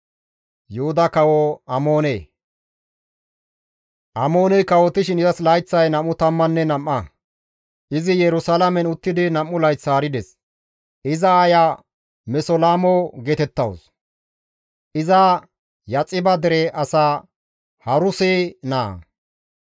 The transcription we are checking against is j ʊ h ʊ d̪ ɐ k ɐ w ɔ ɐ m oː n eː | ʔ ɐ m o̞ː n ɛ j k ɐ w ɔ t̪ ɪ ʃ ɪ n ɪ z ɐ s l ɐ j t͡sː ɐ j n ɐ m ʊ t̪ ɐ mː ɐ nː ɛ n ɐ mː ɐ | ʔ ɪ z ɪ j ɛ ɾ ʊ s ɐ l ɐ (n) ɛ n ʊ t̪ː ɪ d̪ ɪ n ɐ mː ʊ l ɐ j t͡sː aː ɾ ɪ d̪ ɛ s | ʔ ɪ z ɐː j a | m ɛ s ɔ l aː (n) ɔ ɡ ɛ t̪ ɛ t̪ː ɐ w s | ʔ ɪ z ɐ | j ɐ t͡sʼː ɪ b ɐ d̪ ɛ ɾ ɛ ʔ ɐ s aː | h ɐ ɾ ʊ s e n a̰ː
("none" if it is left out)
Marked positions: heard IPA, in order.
m, m

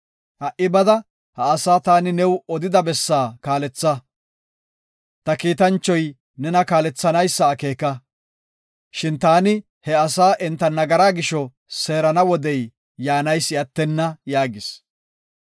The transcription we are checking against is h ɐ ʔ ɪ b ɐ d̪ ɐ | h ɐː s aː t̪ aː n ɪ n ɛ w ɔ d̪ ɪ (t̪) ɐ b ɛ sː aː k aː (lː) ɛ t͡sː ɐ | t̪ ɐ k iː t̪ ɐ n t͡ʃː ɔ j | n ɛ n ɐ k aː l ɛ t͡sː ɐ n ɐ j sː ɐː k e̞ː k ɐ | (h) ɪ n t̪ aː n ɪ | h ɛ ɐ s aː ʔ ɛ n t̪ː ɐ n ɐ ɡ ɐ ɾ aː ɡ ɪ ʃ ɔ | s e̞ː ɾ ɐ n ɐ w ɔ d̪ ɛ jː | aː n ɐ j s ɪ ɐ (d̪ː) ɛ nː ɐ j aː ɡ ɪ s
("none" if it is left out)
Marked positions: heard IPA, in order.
d̪, l, ʃ, t̪ː

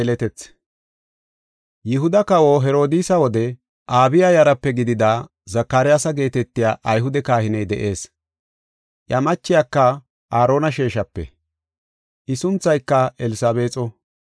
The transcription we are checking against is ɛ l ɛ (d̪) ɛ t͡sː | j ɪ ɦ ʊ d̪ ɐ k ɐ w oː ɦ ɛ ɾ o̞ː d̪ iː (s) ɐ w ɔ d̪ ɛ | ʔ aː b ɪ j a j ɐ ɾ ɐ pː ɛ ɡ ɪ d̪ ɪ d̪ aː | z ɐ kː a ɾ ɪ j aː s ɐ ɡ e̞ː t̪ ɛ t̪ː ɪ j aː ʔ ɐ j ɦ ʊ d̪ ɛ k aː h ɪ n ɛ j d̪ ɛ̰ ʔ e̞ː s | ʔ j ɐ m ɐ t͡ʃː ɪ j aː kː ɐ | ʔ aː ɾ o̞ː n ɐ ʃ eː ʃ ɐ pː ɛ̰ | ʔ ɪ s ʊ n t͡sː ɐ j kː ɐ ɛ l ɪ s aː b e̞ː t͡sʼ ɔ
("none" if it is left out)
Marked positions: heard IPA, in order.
t̪, s

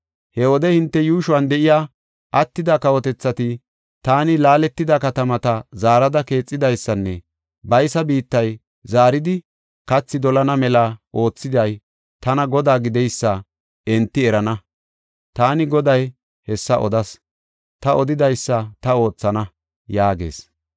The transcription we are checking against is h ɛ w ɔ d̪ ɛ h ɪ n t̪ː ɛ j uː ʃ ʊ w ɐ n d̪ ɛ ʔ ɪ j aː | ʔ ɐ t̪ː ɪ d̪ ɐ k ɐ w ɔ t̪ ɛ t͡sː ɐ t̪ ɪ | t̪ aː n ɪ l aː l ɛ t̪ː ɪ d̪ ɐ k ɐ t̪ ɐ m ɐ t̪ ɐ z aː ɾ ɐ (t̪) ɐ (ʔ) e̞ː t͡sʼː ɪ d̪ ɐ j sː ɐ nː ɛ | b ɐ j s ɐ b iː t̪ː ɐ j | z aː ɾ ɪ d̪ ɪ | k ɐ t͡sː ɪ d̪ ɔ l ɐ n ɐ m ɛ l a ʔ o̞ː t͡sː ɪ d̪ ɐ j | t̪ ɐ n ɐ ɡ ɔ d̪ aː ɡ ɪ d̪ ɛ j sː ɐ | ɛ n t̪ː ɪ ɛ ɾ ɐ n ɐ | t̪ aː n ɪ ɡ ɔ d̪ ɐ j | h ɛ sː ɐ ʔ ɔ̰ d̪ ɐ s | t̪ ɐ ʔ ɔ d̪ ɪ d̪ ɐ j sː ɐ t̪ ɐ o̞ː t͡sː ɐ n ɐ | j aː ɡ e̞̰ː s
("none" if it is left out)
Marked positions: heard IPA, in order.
d̪, k

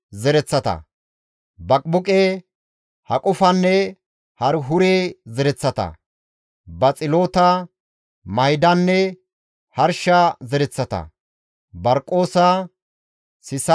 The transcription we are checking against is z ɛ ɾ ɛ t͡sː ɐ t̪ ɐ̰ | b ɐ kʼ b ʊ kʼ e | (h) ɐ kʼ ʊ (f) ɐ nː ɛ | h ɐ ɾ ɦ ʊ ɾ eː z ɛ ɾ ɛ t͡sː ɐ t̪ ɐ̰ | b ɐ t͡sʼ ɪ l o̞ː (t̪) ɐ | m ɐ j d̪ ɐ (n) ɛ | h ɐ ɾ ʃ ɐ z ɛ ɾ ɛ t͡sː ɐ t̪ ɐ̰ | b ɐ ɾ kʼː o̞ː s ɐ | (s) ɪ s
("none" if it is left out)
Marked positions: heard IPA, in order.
h, f, t̪, nː, s

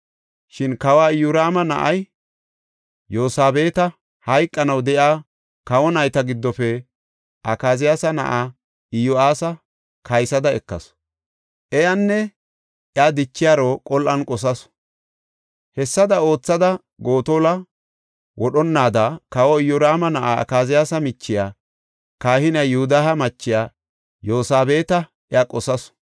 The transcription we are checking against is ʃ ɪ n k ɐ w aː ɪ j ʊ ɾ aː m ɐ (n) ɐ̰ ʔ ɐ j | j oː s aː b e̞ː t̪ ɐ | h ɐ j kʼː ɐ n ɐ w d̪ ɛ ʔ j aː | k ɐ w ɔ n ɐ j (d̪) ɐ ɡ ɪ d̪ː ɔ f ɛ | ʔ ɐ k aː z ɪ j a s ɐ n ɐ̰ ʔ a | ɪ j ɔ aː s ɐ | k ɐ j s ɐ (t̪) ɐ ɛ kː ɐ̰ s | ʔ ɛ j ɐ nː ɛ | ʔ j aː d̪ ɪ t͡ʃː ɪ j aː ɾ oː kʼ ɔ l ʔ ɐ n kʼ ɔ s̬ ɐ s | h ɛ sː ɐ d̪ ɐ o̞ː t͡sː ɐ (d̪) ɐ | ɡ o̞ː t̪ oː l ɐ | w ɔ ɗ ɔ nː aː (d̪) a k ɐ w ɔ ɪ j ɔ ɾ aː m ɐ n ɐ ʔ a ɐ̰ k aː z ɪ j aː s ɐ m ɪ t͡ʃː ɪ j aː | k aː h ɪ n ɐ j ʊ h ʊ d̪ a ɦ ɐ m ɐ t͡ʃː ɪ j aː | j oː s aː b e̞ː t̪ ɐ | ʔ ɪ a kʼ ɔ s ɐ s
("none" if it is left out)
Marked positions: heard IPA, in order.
n, t̪, d̪, d̪, d̪

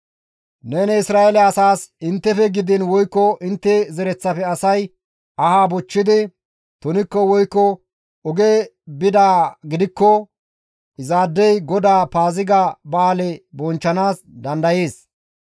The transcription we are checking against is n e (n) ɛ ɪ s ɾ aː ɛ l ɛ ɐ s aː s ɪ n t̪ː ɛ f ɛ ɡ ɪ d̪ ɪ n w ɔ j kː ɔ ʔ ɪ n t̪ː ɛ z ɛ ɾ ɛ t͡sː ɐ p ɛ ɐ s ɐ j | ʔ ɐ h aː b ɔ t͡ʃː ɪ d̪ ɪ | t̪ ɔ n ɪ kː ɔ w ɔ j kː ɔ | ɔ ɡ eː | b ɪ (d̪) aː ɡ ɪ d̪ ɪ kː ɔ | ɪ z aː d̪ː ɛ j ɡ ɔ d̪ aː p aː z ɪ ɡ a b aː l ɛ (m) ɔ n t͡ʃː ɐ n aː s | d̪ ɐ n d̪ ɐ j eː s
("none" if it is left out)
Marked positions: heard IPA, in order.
n, d̪, b

